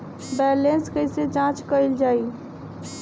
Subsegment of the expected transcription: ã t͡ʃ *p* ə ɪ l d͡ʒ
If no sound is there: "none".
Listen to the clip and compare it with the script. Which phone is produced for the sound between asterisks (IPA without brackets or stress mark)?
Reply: k